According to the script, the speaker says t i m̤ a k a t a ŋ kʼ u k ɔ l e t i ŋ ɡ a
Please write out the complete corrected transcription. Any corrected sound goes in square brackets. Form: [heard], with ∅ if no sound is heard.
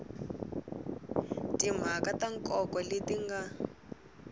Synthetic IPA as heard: t i m̤ a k a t a ŋ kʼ [ɔ] k ɔ l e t i ŋ ɡ a